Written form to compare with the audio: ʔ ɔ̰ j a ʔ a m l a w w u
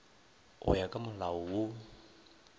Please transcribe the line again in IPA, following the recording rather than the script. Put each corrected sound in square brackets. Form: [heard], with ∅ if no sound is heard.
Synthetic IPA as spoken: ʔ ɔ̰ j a [k] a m l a w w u